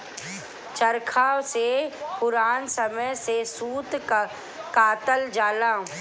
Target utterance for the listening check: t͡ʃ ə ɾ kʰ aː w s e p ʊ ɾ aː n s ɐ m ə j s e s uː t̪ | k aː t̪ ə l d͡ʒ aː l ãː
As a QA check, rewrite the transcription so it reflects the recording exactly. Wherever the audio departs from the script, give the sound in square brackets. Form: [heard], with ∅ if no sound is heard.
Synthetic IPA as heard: t͡ʃ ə ɾ kʰ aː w s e p ʊ ɾ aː n s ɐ m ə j s e s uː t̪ | k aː t̪ ə l d͡ʒ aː l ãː